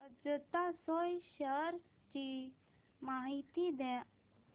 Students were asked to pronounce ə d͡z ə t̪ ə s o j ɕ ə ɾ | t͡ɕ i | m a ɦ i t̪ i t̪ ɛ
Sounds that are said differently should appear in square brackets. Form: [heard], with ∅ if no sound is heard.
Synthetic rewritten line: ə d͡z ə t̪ [a] s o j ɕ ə ɾ | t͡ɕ i | m a ɦ i t̪ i [d̪] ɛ